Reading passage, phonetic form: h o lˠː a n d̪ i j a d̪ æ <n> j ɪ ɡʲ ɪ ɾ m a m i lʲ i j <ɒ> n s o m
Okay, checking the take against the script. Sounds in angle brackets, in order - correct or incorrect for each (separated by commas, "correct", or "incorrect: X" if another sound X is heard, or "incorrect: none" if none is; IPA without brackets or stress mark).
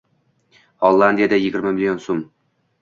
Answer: incorrect: none, incorrect: o